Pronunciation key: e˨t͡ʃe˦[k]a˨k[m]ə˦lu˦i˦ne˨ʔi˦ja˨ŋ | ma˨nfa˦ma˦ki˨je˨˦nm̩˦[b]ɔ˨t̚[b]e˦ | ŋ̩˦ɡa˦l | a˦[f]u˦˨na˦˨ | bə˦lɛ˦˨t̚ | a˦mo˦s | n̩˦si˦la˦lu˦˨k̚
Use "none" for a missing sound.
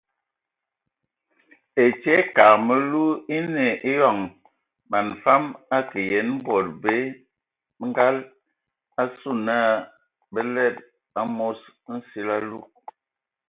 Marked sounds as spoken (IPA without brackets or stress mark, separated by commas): k, m, b, b, s